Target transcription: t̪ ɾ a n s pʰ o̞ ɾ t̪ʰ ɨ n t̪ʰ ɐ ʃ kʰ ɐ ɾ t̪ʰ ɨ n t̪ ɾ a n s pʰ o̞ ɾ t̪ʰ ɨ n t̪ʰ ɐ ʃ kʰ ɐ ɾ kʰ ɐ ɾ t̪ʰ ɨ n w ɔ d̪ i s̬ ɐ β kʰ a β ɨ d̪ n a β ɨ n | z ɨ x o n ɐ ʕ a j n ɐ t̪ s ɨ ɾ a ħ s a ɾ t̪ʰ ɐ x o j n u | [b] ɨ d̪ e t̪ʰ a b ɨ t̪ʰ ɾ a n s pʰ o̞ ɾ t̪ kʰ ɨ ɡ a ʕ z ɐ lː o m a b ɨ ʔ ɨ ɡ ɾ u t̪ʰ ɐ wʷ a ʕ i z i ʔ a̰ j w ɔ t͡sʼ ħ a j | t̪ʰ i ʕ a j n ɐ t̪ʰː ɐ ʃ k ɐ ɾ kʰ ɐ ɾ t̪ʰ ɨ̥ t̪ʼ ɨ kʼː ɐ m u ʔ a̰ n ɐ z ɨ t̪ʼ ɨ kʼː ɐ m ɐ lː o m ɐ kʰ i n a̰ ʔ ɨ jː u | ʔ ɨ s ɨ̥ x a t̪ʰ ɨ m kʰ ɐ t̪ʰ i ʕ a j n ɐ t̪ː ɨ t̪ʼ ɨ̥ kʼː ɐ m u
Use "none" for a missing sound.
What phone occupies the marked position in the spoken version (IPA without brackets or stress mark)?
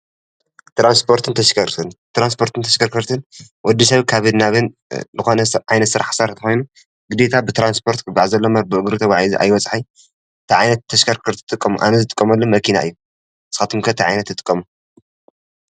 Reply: ɡ